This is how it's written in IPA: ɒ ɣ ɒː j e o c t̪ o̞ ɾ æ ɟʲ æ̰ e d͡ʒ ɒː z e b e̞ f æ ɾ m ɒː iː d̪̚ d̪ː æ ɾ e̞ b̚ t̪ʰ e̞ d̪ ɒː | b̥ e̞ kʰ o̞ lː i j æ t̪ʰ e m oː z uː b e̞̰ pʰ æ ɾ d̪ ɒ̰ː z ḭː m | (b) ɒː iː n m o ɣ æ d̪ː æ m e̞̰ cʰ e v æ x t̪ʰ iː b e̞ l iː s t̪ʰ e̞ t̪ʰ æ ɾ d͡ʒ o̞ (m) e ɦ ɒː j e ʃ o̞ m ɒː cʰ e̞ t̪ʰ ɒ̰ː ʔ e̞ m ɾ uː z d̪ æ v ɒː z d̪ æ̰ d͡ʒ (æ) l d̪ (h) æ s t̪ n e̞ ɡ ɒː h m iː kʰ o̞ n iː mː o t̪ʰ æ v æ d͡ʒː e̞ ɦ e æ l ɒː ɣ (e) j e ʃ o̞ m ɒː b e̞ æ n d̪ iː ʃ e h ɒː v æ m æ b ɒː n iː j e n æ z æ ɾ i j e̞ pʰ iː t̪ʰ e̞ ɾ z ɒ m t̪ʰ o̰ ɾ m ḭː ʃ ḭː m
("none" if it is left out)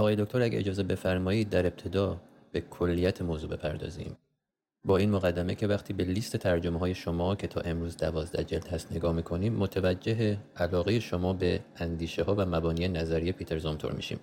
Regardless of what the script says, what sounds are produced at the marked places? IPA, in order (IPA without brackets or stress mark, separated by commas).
b, m, e, h, e